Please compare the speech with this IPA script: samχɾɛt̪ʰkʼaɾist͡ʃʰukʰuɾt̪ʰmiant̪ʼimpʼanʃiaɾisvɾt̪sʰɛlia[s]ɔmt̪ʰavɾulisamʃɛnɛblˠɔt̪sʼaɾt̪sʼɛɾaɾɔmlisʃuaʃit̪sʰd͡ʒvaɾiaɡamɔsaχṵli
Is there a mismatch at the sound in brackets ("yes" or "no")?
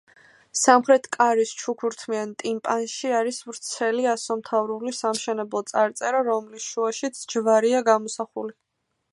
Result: no